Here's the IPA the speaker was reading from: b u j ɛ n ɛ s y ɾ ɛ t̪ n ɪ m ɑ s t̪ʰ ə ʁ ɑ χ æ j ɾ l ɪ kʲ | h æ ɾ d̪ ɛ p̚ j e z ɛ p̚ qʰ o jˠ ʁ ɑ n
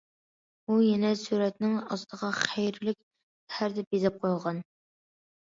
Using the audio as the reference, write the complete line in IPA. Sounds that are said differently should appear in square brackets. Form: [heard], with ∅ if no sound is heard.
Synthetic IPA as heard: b u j ɛ n ɛ s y ɾ ɛ t̪ n ɪ [ŋ] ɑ s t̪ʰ ə ʁ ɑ χ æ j ɾ l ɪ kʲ | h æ ɾ d̪ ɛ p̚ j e z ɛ p̚ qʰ o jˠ ʁ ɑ n